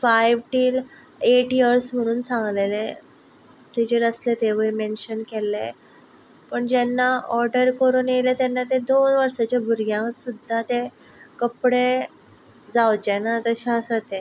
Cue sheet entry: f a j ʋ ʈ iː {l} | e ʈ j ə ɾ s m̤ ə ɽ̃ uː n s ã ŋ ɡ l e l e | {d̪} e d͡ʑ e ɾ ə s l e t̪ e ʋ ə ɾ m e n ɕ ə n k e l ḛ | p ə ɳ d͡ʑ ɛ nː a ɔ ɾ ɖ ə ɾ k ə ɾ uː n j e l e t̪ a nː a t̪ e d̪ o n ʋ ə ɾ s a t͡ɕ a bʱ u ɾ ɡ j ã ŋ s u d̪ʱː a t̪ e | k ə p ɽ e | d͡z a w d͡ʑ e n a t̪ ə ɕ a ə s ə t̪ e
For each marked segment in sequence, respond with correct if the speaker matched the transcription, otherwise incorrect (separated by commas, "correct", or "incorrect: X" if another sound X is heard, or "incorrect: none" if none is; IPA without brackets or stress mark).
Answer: correct, incorrect: t̪